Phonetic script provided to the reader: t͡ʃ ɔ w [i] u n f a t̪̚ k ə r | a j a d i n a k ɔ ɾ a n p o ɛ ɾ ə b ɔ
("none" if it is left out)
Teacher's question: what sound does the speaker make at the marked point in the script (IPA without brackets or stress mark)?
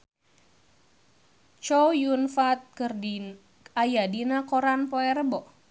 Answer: j